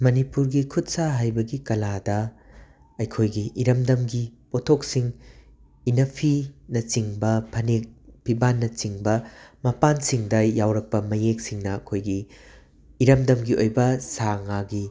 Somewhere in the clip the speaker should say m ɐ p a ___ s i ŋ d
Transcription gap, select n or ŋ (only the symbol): n